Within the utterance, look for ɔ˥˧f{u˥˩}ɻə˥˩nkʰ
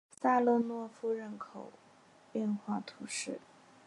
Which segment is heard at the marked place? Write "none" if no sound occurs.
u˥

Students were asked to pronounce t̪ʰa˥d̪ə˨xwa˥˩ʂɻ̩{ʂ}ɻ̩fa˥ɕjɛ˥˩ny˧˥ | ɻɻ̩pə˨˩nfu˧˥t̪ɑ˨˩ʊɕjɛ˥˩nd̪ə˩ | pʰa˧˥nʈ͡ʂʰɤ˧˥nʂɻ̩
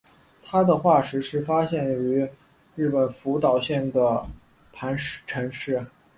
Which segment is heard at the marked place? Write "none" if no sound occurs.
ʂ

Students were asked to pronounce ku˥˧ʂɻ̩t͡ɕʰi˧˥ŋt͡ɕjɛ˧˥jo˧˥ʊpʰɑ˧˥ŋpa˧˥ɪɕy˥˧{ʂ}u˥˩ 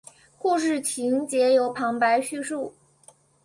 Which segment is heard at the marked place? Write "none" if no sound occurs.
ʂ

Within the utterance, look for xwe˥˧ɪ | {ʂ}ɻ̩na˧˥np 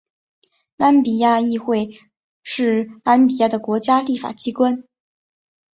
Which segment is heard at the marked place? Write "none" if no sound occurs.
ʂ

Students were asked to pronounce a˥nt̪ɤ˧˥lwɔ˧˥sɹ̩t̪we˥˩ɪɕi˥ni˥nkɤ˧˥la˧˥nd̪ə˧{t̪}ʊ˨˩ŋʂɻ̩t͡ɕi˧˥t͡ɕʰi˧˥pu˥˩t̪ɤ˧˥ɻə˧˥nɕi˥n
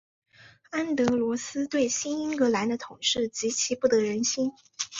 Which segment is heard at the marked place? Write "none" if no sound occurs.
t̪ʰ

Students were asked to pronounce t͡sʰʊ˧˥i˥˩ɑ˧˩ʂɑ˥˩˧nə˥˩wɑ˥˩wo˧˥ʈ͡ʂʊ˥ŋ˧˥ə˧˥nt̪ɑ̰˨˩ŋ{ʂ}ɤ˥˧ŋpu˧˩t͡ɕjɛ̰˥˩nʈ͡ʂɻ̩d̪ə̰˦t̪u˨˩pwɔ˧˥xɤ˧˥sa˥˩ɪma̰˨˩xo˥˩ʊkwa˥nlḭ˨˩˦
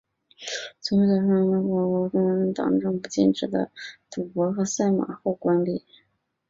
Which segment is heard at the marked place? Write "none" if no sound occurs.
ʈ͡ʂ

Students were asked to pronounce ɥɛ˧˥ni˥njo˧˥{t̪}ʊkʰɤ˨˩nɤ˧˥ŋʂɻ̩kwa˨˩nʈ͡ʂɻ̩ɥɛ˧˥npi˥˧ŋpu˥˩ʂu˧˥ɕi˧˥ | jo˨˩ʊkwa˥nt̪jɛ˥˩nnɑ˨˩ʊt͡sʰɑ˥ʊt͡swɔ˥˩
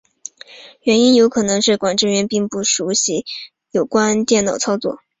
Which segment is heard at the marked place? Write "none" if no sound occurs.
none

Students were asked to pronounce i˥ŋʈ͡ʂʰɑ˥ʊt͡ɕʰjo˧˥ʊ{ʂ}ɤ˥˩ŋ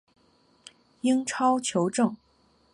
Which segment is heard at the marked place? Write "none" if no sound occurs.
ʈ͡ʂ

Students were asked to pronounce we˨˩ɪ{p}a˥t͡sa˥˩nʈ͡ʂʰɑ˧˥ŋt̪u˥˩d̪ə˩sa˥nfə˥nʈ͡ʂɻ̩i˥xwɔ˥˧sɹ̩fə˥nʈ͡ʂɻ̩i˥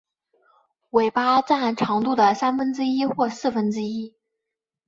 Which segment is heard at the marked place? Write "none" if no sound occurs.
p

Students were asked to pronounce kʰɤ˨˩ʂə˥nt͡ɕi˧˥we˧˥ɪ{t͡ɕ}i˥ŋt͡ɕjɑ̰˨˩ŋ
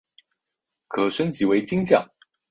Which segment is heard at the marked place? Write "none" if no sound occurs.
t͡ɕ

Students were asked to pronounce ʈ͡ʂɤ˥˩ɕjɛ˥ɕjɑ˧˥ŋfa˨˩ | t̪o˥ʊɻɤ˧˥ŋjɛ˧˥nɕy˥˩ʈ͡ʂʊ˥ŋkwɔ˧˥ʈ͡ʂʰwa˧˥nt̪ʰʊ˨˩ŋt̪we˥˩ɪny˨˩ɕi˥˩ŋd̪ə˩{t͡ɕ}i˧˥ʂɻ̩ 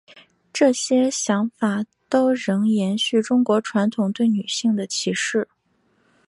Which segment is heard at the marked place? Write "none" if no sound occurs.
t͡ɕʰ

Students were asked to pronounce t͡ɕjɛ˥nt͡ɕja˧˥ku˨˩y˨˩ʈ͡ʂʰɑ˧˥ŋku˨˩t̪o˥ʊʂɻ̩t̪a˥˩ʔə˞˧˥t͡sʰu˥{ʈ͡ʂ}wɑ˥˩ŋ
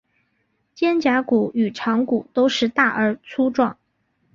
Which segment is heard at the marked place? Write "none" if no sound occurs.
ʈ͡ʂ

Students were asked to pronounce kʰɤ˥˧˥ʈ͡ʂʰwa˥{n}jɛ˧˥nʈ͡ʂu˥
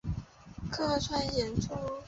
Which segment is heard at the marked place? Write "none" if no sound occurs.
n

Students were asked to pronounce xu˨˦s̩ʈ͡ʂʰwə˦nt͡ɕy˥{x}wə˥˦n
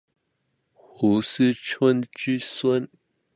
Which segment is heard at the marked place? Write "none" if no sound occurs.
s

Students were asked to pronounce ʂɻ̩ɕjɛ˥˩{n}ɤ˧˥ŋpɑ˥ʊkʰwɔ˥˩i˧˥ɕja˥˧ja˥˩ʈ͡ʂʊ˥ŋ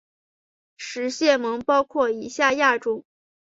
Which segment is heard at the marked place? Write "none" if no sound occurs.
m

